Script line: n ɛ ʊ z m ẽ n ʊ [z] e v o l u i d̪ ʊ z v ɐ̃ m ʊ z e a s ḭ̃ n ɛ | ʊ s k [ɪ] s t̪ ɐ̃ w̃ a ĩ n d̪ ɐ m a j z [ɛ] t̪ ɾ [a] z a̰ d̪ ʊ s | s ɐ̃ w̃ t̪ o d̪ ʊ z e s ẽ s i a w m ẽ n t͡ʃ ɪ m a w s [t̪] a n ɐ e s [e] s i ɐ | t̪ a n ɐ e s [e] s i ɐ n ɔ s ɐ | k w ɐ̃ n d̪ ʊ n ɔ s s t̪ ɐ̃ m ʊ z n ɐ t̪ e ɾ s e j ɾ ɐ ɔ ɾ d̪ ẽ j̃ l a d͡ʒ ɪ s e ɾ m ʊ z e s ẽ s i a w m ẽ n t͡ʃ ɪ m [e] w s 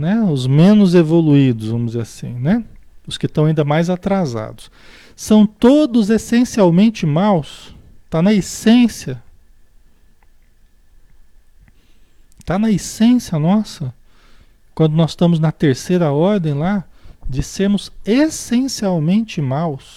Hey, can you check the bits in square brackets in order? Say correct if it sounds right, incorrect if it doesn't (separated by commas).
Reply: correct, correct, incorrect, correct, correct, incorrect, incorrect, incorrect